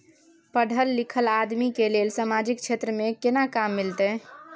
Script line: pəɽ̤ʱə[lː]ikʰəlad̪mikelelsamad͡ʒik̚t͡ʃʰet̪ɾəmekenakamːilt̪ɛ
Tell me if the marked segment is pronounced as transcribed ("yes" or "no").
yes